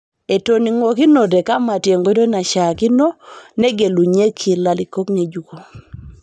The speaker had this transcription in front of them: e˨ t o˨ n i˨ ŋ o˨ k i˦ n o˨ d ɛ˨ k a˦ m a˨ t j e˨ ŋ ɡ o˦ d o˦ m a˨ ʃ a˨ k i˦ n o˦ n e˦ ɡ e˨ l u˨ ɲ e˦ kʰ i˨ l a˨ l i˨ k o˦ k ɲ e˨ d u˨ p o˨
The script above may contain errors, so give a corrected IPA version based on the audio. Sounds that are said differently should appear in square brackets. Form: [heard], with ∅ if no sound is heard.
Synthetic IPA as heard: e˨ t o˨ n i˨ ŋ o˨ k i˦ n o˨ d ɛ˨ k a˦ m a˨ t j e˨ ŋ ɡ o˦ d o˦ [n] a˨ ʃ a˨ k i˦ n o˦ n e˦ ɡ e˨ l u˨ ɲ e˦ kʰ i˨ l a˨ l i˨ k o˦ k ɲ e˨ [d͡ʒ] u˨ [k] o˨